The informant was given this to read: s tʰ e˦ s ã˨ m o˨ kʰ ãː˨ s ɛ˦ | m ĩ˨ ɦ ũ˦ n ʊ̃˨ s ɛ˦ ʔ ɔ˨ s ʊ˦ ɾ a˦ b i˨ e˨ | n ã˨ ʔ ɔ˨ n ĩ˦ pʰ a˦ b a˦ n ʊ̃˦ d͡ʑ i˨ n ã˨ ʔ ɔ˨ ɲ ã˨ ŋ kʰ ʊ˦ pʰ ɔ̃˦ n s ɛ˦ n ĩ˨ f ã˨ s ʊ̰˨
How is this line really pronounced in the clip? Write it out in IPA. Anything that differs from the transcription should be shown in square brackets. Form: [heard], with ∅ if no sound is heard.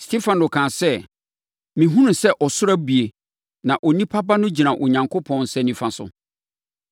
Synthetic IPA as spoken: s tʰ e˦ [f] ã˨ [n] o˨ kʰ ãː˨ s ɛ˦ | m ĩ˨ ɦ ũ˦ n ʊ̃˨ s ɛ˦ ʔ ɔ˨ s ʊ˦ ɾ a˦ b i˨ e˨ | n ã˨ ʔ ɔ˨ n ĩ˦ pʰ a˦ b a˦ n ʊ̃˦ d͡ʑ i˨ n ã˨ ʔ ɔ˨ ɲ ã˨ ŋ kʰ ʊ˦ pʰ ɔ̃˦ n s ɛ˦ n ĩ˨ f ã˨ s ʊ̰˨